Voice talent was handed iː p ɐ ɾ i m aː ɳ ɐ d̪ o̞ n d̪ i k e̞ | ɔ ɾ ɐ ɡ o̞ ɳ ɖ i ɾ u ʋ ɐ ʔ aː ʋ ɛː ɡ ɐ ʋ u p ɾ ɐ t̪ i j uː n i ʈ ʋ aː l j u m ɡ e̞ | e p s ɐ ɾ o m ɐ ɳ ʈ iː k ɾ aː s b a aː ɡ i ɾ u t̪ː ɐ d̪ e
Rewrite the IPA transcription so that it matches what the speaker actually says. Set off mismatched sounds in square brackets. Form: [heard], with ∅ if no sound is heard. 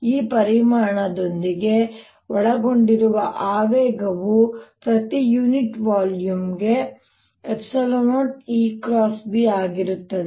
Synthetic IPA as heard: iː p ɐ ɾ i m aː ɳ ɐ d̪ o̞ n d̪ i [ɡ] e̞ | ɔ [ɭ] ɐ ɡ o̞ ɳ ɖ i ɾ u ʋ ɐ ʔ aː ʋ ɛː ɡ ɐ ʋ u p ɾ ɐ t̪ i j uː n i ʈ ʋ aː l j u m ɡ e̞ | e p s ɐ [l] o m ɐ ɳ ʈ iː k ɾ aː s b [i] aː ɡ i ɾ u t̪ː ɐ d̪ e